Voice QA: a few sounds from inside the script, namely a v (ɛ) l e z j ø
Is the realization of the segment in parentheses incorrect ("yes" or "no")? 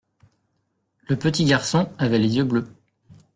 no